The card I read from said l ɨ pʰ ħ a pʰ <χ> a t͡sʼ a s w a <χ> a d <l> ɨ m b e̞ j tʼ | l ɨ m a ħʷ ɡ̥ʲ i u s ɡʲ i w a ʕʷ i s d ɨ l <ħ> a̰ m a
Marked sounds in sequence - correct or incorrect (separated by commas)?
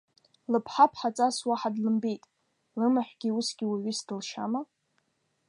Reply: incorrect, incorrect, correct, incorrect